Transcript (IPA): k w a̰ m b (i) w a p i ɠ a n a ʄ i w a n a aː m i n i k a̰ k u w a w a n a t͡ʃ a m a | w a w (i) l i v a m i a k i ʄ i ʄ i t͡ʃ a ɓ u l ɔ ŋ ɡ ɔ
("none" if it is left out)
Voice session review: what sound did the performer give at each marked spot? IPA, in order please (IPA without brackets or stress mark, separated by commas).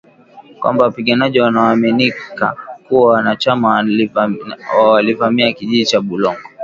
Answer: a, a